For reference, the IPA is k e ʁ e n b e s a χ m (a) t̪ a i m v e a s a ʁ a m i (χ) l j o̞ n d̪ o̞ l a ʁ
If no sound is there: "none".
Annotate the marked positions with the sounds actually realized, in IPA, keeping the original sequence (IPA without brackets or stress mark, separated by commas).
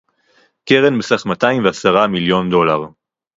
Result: a, none